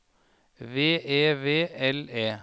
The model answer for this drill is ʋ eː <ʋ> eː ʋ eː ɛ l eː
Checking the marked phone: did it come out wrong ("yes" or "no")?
yes